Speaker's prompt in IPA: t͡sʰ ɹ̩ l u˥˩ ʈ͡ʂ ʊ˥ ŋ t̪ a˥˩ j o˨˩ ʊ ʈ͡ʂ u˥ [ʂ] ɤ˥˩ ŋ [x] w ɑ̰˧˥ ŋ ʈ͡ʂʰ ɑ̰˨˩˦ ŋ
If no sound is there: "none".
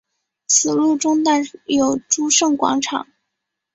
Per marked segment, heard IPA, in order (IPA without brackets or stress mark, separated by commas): ʂ, k